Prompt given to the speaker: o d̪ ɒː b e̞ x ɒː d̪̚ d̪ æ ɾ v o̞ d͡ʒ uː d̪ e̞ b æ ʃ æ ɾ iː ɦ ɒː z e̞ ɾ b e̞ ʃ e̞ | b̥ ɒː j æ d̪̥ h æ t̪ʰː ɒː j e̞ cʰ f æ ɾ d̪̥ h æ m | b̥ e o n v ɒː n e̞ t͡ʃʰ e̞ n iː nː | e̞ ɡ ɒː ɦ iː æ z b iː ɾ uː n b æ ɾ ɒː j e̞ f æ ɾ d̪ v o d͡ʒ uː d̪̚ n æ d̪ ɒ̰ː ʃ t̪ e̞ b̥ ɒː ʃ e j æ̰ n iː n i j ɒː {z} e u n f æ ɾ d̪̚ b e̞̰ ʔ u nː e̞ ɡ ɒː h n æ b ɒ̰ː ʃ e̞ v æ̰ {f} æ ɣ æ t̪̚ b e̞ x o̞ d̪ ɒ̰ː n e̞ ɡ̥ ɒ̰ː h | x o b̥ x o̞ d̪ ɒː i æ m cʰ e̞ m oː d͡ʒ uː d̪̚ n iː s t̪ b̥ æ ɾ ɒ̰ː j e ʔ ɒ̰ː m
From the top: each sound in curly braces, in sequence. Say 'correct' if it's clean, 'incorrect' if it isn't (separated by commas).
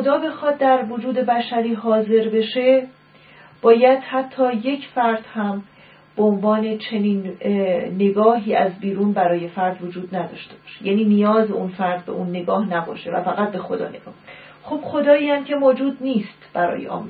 correct, correct